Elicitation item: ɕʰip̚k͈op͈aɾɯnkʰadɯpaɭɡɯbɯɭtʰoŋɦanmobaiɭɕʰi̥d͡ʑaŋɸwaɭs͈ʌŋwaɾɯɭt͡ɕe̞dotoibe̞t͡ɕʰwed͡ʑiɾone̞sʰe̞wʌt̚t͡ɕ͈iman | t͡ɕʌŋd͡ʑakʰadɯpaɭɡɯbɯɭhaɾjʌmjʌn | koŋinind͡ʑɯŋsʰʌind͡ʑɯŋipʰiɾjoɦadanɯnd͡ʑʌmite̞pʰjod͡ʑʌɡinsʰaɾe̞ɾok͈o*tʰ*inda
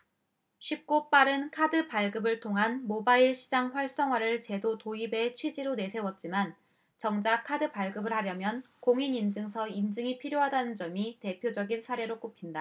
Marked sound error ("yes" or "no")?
yes